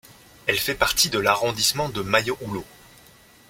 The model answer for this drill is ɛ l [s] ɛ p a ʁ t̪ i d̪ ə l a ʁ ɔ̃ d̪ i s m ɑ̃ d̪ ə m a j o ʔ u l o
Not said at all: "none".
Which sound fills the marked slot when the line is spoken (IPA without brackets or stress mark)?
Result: f